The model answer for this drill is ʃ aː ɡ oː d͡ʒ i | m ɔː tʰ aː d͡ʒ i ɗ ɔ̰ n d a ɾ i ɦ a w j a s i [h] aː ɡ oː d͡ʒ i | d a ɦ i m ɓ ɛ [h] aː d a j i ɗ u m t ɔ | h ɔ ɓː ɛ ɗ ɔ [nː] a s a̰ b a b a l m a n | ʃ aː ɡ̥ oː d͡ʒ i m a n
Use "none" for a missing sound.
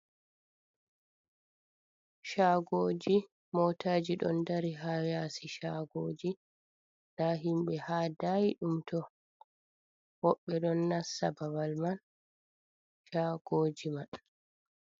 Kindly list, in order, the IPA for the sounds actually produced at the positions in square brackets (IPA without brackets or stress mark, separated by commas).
ʃ, h, nː